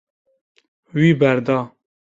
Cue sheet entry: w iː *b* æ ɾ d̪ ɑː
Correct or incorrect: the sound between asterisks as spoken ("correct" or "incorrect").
correct